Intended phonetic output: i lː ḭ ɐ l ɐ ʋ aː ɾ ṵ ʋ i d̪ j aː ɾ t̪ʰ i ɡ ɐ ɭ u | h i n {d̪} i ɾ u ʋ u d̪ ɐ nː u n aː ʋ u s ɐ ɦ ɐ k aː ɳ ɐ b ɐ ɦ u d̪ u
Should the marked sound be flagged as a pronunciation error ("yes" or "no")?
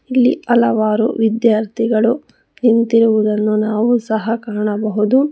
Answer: yes